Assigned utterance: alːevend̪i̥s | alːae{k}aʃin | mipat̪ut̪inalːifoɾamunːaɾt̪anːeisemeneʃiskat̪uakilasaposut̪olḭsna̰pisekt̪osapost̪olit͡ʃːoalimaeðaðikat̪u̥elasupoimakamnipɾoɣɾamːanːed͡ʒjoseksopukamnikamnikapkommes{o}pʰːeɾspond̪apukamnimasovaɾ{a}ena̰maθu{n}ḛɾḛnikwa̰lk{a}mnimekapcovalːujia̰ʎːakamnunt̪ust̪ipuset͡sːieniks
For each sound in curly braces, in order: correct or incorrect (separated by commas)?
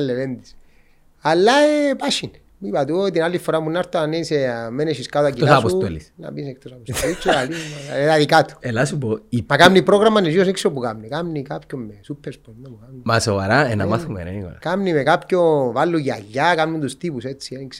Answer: incorrect, incorrect, correct, incorrect, correct